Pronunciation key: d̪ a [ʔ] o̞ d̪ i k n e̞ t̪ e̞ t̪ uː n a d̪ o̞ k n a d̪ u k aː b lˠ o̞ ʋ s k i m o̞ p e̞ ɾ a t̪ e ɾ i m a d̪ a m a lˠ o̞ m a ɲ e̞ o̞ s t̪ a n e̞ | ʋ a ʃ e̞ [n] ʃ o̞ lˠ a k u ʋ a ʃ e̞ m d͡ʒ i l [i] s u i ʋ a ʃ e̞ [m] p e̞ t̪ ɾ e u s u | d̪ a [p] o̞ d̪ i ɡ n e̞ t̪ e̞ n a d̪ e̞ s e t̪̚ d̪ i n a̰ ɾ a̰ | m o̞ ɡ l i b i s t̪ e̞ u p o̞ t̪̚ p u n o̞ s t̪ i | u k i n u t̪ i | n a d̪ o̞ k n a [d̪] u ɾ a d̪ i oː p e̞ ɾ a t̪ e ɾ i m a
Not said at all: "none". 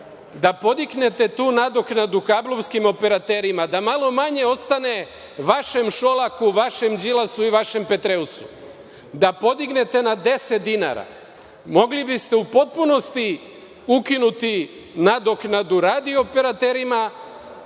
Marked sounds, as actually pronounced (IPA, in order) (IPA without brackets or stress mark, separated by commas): p, m, a, m, p, d̪